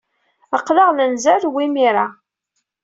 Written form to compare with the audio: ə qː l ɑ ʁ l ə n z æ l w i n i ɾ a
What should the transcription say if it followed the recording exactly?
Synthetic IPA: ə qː l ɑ ʁ l ə n z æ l w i m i ɾ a

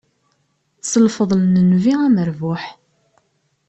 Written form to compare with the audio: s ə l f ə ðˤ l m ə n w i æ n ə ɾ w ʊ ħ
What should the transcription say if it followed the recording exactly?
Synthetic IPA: s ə l f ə ðˤ l n ə n v i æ m ə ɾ v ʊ ħ

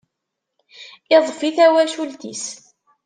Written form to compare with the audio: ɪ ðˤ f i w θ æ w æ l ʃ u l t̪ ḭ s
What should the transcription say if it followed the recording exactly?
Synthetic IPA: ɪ ðˤ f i θ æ w æ l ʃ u l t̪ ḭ s

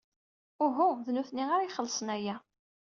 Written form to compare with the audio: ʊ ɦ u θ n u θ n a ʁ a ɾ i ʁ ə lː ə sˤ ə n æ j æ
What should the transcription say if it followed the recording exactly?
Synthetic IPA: ʊ ɦ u ð n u θ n i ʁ a ɾ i χ ə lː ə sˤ ə n æ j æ

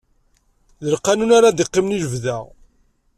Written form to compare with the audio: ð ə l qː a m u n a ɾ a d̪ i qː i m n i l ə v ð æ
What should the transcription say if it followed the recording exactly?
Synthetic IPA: ð ə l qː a n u n a ɾ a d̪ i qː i m n i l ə v ð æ

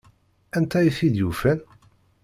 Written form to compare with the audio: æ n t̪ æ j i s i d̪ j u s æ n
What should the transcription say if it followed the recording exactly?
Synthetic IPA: æ n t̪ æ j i θ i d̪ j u f æ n

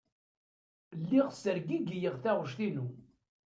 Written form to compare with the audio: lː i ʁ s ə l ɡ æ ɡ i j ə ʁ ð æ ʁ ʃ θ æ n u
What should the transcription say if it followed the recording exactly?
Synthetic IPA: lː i ʁ s ə ɾ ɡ i ɡ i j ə ʁ θ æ ʁ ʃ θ i n u

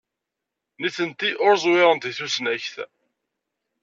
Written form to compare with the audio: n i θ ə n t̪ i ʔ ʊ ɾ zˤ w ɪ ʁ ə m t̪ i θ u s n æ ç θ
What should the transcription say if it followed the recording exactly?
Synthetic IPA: n i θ ə n t̪ i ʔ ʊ ɾ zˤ w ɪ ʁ ə n t̪ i θ u s n æ ç θ

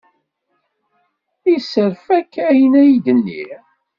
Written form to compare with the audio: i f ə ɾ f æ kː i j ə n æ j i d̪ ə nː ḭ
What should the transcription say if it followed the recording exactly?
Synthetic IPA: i s ə ɾ f æ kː æ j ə n æ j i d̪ ə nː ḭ

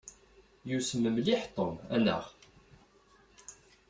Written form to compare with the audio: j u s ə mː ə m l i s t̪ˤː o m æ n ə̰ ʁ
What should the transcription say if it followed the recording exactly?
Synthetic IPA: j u s ə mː ə m l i ħ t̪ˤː o m æ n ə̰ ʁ

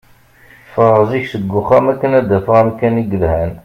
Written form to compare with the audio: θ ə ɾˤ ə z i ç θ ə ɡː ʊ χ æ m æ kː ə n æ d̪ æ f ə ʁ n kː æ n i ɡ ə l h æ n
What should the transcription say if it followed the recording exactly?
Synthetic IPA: f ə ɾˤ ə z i ç s ə ɡː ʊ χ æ m æ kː ə n æ d̪ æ f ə ʁ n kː æ n i ɡ ə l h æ n

